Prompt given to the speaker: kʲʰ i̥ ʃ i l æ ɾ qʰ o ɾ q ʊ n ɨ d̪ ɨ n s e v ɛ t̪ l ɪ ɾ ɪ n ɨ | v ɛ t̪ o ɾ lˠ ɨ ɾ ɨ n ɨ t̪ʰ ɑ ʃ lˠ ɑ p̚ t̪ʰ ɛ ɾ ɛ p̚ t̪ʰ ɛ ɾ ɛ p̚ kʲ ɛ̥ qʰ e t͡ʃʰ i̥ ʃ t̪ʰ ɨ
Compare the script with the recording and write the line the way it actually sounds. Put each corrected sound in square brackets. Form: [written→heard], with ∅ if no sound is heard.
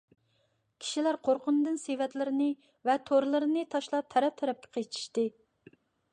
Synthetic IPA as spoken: kʲʰ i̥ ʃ i l æ ɾ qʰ o ɾ q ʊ n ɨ d̪ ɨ n s e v ɛ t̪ l ɪ ɾ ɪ n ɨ | v ɛ [t̪→t̪ʰ] o ɾ lˠ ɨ ɾ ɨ n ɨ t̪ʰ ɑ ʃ lˠ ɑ p̚ t̪ʰ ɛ ɾ ɛ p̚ t̪ʰ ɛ ɾ ɛ p̚ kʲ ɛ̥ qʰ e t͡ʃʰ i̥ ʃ [t̪ʰ→t̪] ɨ